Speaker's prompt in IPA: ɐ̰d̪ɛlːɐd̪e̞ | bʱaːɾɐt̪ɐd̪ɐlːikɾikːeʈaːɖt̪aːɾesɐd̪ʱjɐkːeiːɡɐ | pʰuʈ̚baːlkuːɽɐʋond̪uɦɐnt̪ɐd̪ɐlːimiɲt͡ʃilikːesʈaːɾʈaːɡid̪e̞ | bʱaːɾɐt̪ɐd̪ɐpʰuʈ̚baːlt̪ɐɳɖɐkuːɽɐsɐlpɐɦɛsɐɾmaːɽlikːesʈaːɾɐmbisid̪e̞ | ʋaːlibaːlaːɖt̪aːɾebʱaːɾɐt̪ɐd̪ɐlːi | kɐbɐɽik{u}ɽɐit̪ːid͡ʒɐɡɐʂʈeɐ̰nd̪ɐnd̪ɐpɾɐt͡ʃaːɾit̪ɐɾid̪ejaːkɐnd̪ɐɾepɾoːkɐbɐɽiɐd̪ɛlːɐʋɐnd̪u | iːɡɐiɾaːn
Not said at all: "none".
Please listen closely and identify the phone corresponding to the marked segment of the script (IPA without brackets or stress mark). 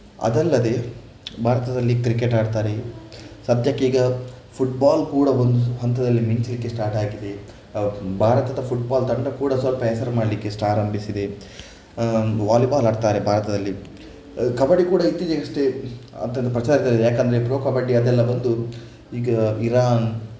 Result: uː